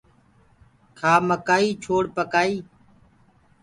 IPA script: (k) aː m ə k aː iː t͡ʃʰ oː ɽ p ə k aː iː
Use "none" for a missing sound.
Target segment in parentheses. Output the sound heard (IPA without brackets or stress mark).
kʰ